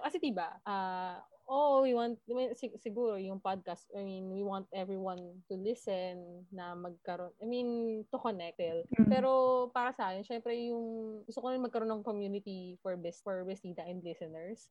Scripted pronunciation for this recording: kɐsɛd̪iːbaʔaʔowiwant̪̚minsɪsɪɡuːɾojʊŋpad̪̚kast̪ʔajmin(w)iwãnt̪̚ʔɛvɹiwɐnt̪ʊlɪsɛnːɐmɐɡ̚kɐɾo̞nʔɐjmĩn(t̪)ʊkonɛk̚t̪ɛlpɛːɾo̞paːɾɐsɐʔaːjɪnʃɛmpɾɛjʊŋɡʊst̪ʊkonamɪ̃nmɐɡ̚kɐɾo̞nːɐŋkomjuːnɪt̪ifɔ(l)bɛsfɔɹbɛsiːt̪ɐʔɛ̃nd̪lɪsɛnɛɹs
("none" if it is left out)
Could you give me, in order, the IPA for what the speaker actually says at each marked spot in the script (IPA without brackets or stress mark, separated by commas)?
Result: w, t̪, ɹ